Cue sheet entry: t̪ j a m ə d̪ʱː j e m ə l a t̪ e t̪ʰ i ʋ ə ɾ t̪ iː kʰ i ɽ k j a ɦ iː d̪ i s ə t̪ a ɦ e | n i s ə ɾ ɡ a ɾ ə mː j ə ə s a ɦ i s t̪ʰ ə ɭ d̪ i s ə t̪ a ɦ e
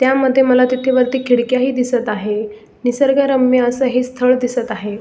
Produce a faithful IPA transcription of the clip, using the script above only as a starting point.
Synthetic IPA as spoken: t̪ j a m ə d̪ʱː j e m ə l a t̪ i t̪ʰ e ʋ ə ɾ t̪ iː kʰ i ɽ k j a ɦ iː d̪ i s ə t̪ a ɦ e | n i s ə ɾ ɡ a ɾ ə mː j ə ə s ə ɦ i s t̪ʰ ə ɭ d̪ i s ə t̪ a ɦ e